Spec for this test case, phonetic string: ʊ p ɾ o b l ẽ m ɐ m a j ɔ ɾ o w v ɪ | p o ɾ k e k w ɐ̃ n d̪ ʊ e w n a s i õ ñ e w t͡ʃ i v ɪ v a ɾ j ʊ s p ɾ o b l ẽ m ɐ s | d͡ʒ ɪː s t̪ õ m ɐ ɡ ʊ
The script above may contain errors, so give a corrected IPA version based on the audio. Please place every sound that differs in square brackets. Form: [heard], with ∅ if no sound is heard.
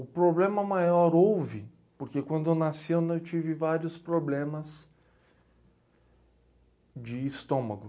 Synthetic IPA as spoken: ʊ p ɾ o b l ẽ m ɐ m a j ɔ ɾ o w v ɪ | p o ɾ k e k w ɐ̃ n d̪ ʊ e w n a s i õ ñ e w t͡ʃ i v ɪ v a ɾ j ʊ s p ɾ o b l ẽ m ɐ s | d͡ʒ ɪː s t̪ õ m ɐ ɡ ʊ